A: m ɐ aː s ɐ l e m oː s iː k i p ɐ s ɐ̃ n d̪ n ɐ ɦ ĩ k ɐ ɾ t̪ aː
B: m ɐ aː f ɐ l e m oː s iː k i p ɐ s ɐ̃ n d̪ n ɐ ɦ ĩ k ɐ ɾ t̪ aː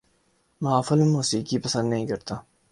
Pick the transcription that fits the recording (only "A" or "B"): B